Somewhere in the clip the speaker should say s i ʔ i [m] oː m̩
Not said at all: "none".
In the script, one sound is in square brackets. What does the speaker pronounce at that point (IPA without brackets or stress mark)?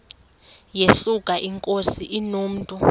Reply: n